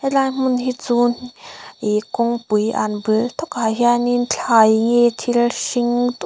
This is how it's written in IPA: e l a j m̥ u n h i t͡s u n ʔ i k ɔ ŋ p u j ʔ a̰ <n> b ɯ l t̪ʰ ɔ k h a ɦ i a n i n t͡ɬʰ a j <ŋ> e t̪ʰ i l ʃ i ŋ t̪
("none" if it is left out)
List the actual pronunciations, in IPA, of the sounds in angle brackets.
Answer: n, ŋ

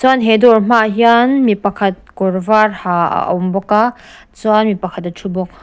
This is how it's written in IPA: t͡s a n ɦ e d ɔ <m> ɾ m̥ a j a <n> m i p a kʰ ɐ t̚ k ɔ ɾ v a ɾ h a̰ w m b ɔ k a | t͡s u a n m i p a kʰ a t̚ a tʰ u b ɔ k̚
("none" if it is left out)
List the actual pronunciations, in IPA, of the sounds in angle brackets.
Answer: none, n

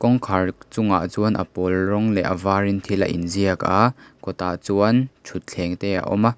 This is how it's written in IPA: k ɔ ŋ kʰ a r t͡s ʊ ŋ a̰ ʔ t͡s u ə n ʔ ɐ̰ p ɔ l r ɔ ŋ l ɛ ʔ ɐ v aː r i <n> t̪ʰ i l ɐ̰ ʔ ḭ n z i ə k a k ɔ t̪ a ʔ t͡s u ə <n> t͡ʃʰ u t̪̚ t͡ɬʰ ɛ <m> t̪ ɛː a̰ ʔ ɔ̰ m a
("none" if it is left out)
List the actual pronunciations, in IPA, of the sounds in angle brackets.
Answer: n, n, ŋ

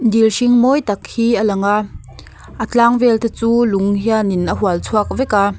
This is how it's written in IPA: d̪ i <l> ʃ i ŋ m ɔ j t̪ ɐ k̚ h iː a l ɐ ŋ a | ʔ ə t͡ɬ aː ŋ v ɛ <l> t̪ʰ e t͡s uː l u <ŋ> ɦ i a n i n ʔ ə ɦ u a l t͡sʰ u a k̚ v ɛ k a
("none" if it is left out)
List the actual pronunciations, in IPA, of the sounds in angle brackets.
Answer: l, l, ŋ

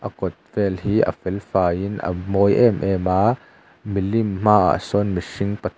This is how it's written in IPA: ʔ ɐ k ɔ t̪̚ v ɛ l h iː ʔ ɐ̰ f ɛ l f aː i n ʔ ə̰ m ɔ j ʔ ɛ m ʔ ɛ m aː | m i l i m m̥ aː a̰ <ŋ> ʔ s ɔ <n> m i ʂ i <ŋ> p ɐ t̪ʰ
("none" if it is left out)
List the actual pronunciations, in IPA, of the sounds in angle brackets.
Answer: none, n, ŋ

